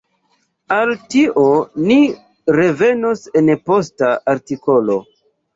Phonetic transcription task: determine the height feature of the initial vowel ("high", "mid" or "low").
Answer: low